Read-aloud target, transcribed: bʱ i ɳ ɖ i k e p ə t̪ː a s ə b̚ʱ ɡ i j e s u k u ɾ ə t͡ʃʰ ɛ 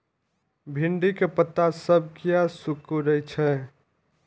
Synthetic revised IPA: bʱ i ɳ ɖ i k e p ə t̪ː a s ə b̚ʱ k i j a s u k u ɾ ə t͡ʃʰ ɛ